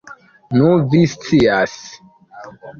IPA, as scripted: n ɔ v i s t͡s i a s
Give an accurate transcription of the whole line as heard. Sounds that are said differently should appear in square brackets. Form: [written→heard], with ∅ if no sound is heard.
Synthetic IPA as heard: n [ɔ→u] v i s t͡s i a s